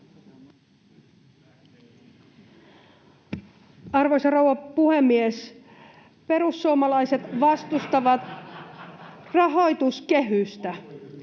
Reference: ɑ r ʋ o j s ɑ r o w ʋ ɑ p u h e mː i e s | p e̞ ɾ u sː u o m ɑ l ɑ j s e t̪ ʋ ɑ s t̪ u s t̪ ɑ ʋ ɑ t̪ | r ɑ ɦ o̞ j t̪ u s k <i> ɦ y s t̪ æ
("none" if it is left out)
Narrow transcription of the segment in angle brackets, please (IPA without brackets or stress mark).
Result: e